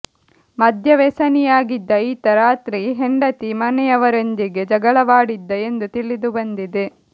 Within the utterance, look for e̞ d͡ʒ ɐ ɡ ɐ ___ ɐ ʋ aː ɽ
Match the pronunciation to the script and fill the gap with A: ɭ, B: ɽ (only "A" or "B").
A